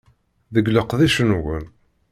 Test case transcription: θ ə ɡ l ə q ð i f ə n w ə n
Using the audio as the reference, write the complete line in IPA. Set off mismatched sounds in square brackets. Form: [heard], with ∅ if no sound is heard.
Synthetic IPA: [ð] ə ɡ l ə q ð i [ʃ] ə n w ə n